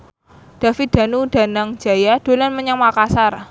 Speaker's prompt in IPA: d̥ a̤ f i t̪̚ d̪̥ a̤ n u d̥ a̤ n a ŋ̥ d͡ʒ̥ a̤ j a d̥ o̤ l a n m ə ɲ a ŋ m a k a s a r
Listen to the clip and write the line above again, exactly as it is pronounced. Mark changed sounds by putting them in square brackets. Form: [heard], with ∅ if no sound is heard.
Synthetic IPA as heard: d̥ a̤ f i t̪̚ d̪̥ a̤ n u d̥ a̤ n a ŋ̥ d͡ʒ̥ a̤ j a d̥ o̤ l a n m ə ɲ a ŋ m a k a s a r